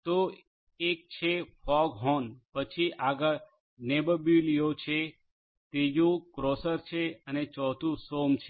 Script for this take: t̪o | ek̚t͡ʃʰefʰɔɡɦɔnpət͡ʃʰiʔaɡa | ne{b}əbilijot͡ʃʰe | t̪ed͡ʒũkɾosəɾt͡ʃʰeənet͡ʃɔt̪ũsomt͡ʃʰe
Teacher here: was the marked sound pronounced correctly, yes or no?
yes